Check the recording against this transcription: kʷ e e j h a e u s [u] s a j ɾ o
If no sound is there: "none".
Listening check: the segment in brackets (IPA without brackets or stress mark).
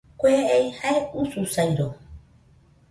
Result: u